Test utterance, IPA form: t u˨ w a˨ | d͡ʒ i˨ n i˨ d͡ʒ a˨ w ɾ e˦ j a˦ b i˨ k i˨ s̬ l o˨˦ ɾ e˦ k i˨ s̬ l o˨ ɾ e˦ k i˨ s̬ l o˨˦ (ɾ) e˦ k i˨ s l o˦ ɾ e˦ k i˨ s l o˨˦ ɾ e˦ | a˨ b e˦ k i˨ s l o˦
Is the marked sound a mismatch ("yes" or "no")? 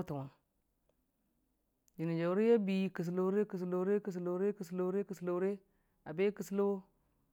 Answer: no